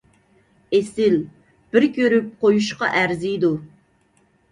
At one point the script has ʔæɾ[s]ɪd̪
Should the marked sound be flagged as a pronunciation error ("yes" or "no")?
yes